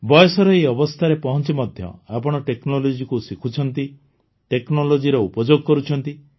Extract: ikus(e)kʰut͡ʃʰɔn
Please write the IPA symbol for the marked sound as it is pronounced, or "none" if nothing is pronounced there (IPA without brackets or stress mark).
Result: i